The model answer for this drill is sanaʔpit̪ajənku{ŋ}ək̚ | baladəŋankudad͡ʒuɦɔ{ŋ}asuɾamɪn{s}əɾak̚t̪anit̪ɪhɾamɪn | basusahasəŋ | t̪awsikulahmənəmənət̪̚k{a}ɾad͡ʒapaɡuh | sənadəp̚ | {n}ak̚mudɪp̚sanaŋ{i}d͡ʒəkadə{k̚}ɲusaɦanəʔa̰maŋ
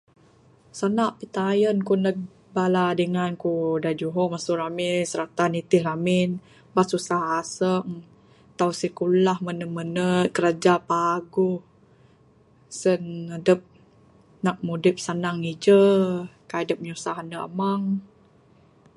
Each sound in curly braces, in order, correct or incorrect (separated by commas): incorrect, incorrect, correct, incorrect, correct, correct, incorrect